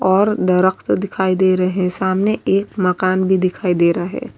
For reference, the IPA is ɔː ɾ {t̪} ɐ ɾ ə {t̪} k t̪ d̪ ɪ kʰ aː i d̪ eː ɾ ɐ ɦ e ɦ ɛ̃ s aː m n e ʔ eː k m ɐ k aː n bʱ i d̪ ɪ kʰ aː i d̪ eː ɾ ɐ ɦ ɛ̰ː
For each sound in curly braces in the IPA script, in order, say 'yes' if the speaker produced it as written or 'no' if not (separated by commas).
no, no